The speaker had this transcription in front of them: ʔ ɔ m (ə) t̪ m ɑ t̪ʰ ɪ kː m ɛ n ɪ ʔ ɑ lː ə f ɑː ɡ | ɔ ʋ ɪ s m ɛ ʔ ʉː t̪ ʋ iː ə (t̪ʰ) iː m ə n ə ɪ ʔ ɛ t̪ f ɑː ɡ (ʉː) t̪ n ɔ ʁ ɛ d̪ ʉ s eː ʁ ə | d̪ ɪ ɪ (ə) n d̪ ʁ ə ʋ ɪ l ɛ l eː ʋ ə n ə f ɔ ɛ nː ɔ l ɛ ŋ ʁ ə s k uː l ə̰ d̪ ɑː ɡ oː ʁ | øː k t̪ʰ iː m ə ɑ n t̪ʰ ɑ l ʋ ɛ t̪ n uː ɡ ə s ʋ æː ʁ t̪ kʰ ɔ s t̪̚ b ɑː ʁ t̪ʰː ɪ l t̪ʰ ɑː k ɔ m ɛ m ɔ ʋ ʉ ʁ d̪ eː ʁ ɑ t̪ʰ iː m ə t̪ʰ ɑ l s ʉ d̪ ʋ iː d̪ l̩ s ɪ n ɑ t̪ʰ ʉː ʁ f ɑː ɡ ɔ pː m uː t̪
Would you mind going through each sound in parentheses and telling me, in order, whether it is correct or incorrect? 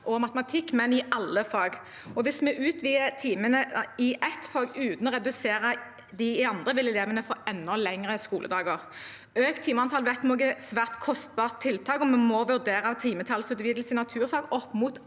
incorrect: ɑ, correct, correct, incorrect: ɑ

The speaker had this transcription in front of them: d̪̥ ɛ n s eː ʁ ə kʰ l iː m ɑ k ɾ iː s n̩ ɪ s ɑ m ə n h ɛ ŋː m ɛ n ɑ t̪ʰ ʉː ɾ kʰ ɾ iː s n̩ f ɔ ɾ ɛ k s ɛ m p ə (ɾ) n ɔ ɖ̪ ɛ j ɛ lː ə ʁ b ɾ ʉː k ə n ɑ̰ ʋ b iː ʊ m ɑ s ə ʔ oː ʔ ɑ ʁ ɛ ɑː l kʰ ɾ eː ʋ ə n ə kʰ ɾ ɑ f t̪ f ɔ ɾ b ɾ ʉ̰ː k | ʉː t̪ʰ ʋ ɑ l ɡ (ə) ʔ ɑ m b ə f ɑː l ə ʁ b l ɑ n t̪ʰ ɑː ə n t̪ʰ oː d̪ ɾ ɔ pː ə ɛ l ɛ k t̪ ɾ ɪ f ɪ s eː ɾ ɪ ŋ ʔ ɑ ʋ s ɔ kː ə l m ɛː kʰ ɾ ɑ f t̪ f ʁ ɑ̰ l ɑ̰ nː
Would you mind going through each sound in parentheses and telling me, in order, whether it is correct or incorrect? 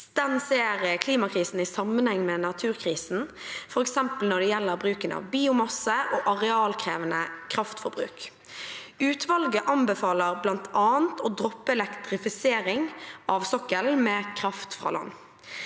incorrect: l, correct

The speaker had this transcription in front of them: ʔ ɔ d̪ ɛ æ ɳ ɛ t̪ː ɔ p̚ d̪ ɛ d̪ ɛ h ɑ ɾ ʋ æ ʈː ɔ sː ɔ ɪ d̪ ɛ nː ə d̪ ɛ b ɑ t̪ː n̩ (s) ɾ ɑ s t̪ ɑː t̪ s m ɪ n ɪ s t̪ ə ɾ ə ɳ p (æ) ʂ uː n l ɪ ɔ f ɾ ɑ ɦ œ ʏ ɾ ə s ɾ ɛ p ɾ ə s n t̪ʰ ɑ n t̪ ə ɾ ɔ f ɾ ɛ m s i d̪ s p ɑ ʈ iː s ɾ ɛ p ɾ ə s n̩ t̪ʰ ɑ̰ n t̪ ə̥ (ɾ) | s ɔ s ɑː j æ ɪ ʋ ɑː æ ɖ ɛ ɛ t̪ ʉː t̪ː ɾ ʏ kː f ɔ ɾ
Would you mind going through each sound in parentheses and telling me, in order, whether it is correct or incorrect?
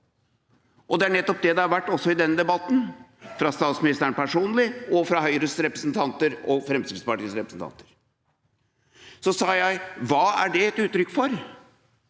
incorrect: f, correct, correct

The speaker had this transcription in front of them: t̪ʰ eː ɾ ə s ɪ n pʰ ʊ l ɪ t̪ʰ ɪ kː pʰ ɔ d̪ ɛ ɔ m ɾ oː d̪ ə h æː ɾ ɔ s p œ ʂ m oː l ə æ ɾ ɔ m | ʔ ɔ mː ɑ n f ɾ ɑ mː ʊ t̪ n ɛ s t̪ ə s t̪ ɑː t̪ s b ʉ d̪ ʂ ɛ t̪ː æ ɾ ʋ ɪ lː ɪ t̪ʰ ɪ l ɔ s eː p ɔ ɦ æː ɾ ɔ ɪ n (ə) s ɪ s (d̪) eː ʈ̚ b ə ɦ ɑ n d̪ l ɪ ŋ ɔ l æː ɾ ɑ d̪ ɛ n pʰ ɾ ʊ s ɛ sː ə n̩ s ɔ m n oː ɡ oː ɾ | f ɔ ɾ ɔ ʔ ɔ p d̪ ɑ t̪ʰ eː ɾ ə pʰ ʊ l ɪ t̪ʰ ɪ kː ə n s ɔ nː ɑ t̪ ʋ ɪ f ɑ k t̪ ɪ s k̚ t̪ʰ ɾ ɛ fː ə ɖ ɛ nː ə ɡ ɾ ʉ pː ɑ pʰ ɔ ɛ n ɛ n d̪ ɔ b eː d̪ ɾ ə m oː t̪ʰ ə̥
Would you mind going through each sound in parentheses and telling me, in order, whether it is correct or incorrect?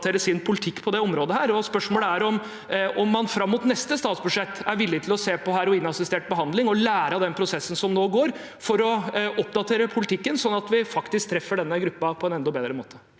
incorrect: ɑ, incorrect: t̪

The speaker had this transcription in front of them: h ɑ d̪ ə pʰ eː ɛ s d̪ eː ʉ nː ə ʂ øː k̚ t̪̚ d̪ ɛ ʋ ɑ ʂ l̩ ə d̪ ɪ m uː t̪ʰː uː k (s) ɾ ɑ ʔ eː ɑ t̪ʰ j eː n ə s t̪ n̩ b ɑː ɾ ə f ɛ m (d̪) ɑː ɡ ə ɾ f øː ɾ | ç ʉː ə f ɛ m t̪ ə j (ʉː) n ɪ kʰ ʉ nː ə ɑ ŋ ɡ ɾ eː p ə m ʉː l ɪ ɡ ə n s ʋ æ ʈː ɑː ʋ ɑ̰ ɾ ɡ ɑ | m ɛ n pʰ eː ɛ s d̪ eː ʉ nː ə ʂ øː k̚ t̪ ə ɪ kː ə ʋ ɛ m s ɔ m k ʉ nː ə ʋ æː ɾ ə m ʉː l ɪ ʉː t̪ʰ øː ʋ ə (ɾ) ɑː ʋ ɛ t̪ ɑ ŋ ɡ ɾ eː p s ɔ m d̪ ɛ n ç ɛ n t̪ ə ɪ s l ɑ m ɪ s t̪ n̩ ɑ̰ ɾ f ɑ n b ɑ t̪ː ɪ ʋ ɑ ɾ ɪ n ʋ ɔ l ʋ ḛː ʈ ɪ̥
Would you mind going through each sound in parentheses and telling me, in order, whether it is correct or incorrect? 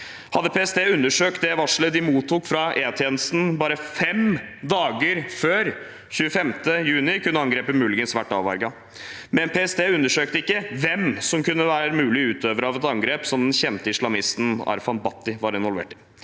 incorrect: f, correct, correct, correct

